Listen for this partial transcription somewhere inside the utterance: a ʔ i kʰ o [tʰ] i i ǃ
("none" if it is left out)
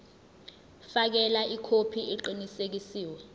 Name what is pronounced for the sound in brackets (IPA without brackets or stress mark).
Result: pʰ